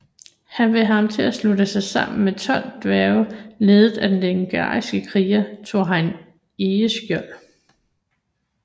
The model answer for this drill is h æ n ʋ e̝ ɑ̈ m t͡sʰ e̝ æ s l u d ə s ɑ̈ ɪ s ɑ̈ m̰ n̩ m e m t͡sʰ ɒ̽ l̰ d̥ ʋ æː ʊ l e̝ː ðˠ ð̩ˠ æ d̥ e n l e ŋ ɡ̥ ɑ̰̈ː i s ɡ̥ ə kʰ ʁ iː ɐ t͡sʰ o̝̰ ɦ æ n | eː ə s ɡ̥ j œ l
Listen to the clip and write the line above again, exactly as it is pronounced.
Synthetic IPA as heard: h æ n ʋ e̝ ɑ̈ m t͡sʰ e̝ æ s l u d ə s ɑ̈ ɪ s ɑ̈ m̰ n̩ m e t͡sʰ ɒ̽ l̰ d̥ ʋ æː ʊ l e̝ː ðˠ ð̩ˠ æ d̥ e n l e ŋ ɡ̥ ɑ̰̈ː i s ɡ̥ ə kʰ ʁ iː ɐ t͡sʰ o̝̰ ɦ æ n | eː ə s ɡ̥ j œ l